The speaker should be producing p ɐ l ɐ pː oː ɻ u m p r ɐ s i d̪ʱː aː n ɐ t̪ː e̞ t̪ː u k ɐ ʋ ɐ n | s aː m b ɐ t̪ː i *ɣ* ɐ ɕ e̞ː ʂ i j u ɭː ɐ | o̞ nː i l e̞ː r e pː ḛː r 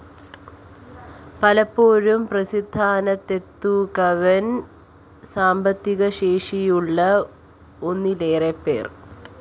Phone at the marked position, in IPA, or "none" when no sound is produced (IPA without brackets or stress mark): ɣ